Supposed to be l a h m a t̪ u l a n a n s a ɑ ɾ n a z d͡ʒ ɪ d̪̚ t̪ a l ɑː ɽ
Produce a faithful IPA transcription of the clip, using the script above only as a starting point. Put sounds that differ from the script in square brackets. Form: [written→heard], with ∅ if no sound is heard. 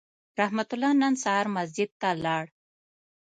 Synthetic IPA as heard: [l→ɾ] a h m a t̪ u l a n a n s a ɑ ɾ [n→m] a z d͡ʒ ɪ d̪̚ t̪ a l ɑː ɽ